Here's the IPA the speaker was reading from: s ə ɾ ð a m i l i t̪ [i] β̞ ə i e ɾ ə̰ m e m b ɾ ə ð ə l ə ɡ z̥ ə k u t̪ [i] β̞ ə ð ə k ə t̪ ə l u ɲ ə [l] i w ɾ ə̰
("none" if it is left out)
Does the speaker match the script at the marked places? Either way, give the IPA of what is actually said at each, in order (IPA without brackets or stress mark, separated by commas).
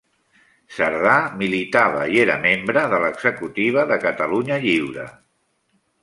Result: a, i, ʎ